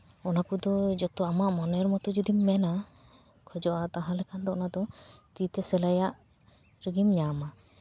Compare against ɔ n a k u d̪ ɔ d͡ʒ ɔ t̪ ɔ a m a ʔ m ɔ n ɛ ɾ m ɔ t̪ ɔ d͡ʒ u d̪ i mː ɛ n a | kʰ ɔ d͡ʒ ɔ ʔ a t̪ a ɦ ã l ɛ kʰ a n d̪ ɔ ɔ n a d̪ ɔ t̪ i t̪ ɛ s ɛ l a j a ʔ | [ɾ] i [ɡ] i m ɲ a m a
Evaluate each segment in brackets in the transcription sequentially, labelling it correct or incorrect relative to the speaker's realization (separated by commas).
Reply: correct, correct